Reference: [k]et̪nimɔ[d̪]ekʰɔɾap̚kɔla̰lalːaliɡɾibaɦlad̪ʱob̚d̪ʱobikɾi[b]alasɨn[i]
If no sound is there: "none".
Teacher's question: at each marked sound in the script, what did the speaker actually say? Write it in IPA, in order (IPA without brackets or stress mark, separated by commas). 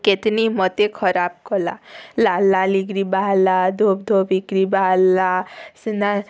k, t̪, b, a